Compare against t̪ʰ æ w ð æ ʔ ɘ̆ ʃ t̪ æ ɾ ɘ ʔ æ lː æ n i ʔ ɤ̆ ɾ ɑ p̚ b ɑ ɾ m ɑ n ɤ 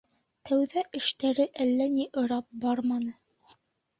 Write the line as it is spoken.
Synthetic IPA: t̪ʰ æ w ð æ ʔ ɘ̆ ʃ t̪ æ ɾ ɘ ʔ æ lː æ n i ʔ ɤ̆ ɾ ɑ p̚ b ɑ ɾ m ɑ n ɤ